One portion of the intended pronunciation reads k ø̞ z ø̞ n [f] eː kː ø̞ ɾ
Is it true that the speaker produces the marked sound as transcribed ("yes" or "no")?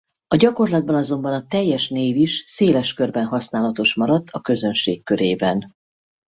no